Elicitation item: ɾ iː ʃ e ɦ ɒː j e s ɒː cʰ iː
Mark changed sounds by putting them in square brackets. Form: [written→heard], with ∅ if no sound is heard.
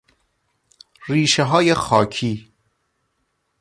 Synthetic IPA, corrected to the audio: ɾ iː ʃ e ɦ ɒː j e [s→x] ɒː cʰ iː